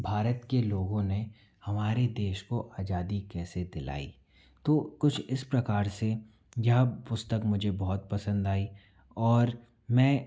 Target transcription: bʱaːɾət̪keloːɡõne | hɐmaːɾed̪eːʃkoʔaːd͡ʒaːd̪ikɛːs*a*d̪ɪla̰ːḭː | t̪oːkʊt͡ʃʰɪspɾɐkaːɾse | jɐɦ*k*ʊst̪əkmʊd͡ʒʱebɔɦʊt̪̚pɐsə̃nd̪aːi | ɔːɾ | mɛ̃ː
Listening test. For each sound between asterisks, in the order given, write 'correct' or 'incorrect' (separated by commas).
incorrect, incorrect